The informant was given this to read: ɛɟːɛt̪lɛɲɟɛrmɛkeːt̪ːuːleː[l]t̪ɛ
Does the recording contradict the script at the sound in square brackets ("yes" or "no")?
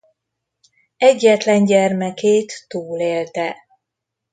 no